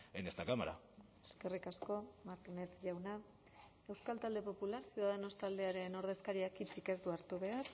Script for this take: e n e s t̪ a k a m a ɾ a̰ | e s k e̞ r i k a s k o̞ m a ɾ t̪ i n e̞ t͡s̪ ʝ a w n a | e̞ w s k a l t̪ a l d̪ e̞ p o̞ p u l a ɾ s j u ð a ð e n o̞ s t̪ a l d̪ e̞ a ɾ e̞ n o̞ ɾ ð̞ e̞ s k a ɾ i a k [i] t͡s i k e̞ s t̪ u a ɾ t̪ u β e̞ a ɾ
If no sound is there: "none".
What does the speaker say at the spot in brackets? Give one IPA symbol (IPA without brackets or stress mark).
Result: i